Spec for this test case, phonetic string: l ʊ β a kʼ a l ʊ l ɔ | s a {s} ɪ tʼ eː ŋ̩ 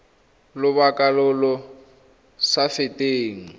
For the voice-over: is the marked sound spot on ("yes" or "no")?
no